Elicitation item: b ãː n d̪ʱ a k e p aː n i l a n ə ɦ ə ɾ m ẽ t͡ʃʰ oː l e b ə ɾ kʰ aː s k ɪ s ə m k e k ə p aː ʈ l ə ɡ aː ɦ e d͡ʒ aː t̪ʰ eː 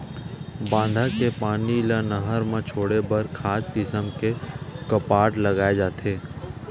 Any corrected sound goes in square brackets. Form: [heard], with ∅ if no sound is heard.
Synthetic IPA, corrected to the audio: b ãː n d̪ʱ a k e p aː n i l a n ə ɦ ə ɾ m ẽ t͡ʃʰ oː [ɽ] e b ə ɾ kʰ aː s k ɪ s ə m k e k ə p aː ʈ l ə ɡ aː [∅] e d͡ʒ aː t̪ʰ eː